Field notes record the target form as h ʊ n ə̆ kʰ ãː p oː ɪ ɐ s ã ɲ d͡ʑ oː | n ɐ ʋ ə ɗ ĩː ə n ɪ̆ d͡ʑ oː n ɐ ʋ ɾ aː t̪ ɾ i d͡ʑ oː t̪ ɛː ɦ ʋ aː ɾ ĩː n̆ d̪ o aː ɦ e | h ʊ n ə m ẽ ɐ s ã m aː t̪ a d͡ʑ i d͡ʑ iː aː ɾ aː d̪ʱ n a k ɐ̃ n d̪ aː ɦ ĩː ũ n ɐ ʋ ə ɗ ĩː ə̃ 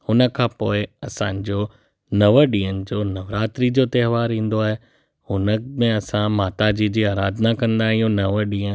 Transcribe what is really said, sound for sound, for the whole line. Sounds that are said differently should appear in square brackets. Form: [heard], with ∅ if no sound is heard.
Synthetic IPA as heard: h ʊ n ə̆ kʰ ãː p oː ɪ ɐ s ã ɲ d͡ʑ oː | n ɐ ʋ ə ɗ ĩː ə n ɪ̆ d͡ʑ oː n ɐ ʋ ɾ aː t̪ ɾ i d͡ʑ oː t̪ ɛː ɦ ʋ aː ɾ ĩː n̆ d̪ o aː ɦ e | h ʊ n ə m ẽ ɐ s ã m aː t̪ a d͡ʑ i d͡ʑ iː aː ɾ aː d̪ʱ n a k ɐ̃ n d̪ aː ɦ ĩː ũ n ɐ ʋ ə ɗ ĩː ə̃